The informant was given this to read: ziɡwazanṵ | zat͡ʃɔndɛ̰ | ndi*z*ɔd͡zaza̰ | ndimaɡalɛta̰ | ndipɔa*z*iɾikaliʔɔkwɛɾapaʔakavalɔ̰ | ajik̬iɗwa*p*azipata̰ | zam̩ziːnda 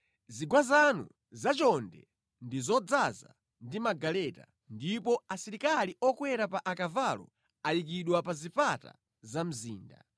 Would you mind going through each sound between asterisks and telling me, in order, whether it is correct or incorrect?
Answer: correct, incorrect, correct

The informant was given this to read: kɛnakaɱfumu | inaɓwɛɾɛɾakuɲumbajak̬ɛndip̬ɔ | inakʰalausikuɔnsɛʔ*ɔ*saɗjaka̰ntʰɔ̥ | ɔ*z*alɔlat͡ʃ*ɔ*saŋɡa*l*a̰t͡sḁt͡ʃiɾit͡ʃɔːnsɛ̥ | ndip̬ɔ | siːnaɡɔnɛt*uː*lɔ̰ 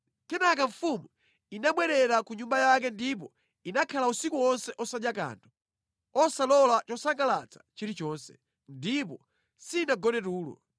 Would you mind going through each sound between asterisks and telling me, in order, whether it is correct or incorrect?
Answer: correct, incorrect, correct, correct, correct

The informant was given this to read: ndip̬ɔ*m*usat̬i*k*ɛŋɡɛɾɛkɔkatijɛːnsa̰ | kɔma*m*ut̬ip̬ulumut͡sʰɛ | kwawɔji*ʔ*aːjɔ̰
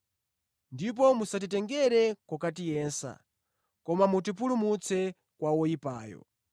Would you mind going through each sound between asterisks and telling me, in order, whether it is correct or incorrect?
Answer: correct, incorrect, correct, incorrect

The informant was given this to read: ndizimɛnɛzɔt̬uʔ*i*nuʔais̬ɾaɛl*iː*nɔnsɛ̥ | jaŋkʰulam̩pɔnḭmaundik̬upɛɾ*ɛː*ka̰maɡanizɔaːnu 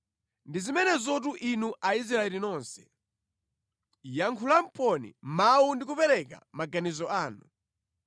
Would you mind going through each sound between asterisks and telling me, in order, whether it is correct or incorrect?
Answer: correct, incorrect, incorrect

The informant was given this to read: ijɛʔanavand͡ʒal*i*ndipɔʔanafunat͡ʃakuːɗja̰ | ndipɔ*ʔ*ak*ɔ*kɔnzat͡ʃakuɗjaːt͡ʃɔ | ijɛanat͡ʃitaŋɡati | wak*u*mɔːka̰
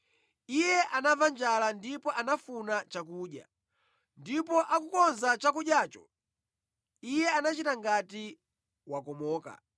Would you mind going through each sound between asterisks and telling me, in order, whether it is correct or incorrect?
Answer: incorrect, correct, incorrect, incorrect

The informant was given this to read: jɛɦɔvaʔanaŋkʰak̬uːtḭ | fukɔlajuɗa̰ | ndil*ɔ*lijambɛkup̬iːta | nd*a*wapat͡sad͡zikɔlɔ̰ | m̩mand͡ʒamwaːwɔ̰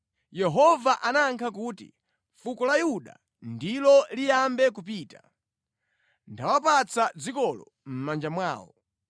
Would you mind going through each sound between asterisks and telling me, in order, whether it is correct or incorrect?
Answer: correct, correct

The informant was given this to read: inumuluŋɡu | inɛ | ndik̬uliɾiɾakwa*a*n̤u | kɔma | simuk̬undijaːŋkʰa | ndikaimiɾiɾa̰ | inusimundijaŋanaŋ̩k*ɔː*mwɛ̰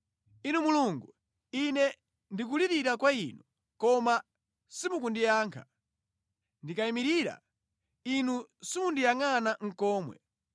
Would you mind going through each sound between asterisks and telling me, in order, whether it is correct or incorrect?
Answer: incorrect, correct

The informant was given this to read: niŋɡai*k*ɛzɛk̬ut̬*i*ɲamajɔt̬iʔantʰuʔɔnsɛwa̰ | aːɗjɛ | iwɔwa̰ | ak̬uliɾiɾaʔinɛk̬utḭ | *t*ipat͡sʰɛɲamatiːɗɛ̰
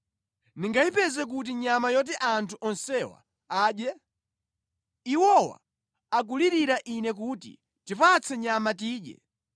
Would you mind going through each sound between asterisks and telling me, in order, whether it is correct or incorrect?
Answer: incorrect, correct, correct

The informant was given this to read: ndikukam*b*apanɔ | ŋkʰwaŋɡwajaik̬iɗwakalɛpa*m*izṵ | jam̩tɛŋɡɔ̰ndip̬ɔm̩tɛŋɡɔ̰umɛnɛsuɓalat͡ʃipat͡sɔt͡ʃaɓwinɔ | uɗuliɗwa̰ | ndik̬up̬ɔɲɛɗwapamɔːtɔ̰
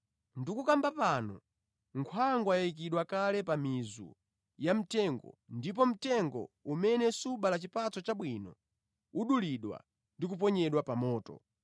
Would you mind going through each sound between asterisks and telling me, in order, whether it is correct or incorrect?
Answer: correct, correct

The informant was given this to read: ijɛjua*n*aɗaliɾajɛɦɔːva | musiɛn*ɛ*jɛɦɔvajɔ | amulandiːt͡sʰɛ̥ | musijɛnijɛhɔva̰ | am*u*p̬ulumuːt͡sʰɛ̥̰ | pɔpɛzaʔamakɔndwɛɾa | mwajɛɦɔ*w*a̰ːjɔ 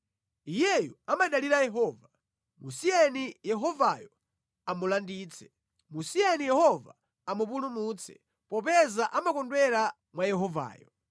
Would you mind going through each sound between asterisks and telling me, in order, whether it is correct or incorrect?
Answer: incorrect, incorrect, correct, incorrect

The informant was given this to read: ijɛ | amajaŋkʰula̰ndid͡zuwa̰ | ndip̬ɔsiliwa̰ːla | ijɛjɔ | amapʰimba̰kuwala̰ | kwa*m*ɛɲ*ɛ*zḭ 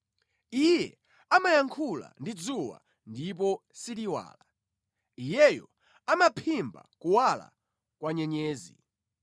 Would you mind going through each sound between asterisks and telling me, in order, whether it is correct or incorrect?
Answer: incorrect, incorrect

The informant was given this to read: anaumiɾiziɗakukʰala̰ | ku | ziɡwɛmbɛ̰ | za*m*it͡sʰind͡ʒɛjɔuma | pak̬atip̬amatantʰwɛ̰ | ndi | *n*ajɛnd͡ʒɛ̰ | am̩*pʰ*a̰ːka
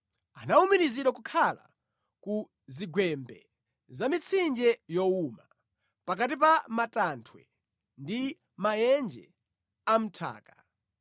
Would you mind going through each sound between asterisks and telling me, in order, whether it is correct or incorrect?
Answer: correct, incorrect, incorrect

